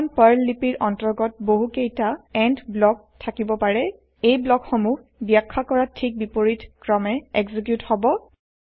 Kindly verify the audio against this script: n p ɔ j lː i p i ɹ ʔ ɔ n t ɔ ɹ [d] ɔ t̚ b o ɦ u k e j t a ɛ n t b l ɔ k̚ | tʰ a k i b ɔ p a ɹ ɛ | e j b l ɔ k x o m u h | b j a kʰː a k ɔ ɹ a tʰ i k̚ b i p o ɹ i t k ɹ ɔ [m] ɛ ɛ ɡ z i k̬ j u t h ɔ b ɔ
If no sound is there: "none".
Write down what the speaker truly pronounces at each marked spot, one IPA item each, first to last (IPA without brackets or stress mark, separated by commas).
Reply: ɡ, m